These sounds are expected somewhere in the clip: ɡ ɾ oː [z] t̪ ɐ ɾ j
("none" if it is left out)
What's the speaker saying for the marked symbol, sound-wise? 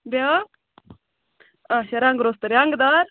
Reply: s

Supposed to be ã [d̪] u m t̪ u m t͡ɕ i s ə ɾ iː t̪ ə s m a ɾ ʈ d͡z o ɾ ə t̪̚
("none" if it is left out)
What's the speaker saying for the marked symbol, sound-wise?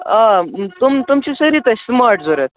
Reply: t̪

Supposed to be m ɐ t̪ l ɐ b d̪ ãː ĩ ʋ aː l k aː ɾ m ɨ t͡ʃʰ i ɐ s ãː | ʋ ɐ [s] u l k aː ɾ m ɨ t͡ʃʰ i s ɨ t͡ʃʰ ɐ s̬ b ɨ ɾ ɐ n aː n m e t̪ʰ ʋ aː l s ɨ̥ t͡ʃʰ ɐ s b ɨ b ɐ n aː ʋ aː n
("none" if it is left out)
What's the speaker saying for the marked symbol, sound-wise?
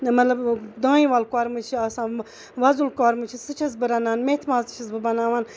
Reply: z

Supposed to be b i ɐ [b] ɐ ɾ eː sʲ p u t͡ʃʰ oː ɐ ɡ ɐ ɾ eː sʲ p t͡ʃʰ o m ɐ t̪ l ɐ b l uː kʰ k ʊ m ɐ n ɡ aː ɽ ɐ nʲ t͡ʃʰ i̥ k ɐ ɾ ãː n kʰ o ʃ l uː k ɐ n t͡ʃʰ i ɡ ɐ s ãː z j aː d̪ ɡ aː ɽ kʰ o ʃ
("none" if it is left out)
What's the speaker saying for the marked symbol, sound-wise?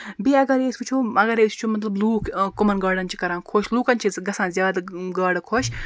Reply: ɡ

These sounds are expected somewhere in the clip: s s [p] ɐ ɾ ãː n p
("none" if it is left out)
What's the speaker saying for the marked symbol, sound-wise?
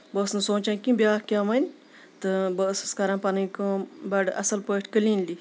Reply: k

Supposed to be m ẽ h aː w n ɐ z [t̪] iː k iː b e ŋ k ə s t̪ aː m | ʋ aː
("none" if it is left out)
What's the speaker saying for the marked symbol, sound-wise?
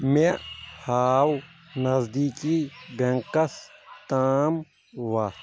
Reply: d̪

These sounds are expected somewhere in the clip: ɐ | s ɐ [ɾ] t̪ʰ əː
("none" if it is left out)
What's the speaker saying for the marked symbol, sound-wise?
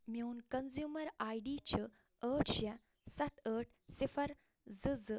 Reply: none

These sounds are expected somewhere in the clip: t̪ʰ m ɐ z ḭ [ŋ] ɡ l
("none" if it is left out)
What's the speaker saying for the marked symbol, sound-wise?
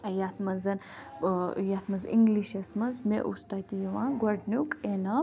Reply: ŋ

